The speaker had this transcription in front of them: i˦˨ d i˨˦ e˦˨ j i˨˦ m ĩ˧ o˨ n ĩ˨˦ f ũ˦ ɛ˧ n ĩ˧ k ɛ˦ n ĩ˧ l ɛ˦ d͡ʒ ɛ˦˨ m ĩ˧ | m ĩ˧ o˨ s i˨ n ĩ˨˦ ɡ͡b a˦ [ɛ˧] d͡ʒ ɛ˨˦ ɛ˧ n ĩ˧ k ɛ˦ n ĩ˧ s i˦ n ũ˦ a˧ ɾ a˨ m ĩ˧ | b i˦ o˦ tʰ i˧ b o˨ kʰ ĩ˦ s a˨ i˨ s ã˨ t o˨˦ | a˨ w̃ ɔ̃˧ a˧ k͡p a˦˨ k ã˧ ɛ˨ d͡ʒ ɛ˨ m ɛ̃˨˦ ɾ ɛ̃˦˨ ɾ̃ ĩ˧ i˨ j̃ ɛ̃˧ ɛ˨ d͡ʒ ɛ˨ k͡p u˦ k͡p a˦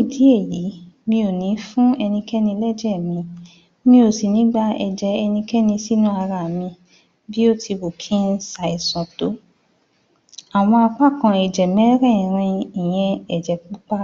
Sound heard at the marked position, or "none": ɛ˧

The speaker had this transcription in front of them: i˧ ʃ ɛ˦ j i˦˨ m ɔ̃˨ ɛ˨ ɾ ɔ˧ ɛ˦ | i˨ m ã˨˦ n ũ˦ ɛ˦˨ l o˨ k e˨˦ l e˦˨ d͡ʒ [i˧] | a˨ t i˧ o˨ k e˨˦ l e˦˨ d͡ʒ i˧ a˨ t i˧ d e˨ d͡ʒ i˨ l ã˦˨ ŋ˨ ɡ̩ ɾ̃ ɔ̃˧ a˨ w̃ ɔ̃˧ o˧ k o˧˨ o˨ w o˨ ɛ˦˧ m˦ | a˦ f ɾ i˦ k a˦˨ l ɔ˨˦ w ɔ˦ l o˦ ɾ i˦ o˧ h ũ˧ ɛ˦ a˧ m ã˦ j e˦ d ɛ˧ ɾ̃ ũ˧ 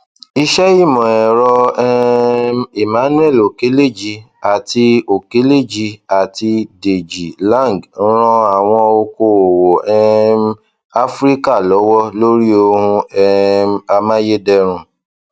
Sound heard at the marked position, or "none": i˧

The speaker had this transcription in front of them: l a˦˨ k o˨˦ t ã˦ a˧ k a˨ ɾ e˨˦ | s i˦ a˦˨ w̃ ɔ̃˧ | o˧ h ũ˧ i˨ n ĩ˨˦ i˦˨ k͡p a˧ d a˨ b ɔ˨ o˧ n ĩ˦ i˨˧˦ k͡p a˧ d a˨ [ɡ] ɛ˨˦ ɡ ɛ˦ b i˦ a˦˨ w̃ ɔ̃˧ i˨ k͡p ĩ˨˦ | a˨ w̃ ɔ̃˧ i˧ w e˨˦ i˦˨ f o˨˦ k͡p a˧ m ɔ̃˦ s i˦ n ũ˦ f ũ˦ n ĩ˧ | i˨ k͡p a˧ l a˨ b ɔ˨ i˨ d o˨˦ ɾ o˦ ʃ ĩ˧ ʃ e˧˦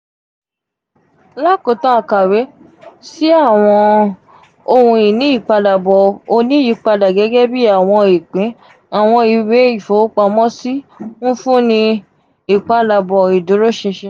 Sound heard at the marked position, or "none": ɡ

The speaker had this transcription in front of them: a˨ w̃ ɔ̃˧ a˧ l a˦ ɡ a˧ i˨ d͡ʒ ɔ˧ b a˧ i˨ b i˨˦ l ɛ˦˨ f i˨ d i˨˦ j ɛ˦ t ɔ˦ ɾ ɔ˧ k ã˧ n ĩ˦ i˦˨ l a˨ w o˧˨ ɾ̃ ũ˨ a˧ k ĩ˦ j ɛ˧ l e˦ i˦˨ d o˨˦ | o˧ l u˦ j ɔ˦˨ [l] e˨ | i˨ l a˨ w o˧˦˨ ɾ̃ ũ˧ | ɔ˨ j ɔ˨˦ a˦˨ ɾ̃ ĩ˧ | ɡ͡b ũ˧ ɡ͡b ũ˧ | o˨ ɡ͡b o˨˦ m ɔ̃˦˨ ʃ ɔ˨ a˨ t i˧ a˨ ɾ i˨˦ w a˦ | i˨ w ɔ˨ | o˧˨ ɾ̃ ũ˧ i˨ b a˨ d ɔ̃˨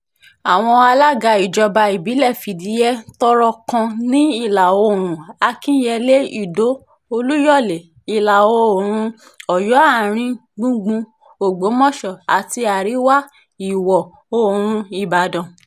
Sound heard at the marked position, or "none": l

